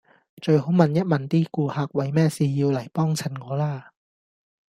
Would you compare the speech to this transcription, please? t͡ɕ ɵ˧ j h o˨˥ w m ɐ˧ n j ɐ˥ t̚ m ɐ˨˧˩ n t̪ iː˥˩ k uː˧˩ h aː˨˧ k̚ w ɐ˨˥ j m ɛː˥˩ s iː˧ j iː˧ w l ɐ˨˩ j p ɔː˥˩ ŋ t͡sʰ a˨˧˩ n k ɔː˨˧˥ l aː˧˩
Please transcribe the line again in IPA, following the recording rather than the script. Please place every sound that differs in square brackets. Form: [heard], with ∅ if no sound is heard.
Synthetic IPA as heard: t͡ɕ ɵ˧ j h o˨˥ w m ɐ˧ n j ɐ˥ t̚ m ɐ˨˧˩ n t̪ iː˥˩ k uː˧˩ h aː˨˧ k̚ w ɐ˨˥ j m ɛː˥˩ s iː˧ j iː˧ w l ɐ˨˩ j p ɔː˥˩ ŋ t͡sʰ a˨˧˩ n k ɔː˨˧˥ l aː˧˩